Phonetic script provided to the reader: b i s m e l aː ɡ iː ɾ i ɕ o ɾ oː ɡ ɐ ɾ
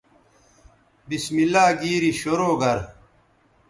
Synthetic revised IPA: b i s m i l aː ɡ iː ɾ i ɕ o ɾ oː ɡ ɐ ɾ